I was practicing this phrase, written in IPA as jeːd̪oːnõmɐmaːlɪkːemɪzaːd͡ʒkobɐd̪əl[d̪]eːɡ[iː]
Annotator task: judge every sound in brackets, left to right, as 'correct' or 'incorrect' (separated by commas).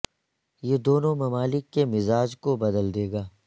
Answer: correct, incorrect